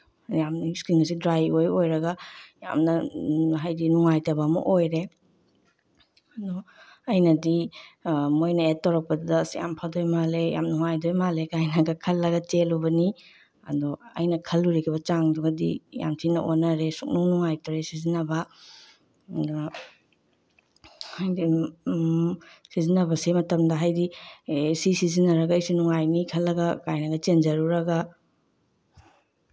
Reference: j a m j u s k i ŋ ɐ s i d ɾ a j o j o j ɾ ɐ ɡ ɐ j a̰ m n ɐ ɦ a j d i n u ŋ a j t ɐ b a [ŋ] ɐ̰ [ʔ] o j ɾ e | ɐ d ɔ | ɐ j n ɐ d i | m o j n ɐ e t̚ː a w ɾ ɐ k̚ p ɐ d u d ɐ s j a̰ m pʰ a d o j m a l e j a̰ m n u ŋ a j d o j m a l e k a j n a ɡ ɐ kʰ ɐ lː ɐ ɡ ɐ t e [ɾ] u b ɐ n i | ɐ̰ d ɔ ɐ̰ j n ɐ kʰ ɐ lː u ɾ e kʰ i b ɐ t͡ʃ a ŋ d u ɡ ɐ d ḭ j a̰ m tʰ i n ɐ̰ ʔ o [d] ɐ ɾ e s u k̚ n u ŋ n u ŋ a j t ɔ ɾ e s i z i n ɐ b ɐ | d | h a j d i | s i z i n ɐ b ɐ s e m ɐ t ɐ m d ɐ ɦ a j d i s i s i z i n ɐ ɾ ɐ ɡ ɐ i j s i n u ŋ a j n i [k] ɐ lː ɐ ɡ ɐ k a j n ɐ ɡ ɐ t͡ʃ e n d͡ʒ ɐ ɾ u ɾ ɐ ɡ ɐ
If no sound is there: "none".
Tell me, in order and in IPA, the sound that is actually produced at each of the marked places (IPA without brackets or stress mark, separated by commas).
m, ʔ, l, n, kʰ